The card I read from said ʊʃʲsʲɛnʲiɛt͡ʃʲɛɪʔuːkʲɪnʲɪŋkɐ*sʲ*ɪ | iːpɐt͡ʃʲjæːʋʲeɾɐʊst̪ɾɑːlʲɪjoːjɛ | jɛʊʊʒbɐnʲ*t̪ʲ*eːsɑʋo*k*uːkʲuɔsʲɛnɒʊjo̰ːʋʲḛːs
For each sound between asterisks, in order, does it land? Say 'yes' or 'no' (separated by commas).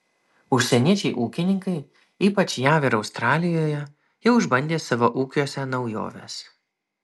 no, no, no